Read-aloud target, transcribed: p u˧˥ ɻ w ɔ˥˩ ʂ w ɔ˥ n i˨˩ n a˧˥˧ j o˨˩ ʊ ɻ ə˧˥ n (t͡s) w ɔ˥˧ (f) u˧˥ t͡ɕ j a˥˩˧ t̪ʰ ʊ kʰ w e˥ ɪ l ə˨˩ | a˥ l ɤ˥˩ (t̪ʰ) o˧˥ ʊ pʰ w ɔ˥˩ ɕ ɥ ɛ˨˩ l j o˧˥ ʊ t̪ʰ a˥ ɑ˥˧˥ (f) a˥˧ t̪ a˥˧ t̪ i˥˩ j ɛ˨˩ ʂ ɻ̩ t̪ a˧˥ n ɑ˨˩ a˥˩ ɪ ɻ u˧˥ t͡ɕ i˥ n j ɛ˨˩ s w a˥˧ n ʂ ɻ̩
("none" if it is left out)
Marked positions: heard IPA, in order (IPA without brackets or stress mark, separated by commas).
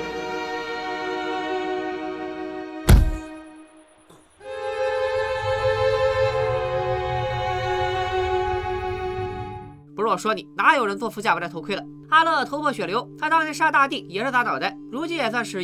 t͡s, f, t̪ʰ, ʂ